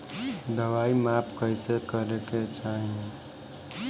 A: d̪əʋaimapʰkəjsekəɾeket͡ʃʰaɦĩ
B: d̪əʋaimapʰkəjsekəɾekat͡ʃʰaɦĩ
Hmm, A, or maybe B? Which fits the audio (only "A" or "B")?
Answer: A